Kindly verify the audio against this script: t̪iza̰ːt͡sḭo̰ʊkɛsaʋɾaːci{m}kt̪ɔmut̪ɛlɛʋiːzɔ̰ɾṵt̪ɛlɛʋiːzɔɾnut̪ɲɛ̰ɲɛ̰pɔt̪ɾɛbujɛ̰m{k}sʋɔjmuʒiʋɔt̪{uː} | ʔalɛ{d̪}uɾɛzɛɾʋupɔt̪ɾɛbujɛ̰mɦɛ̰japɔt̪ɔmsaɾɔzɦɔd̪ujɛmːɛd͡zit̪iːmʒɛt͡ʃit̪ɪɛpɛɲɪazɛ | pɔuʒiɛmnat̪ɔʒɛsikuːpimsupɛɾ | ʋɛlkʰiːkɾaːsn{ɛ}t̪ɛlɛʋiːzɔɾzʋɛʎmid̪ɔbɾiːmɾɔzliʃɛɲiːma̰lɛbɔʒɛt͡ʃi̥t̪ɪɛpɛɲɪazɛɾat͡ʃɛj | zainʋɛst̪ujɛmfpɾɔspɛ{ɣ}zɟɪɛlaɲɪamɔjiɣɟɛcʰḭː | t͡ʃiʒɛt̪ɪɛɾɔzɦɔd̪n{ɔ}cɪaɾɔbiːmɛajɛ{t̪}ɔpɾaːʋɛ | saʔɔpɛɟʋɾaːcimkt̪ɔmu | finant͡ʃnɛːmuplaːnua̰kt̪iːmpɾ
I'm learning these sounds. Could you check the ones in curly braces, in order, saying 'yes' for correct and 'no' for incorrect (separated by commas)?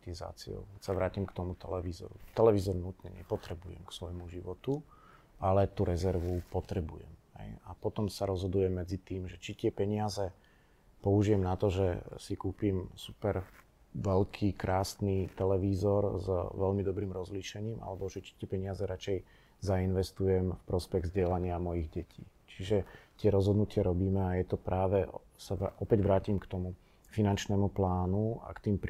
yes, yes, no, no, no, yes, no, yes